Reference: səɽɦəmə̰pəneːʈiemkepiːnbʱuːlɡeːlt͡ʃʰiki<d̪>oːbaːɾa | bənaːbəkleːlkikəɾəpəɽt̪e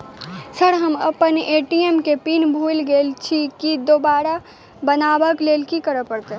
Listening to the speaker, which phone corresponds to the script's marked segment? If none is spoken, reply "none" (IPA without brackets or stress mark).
d̪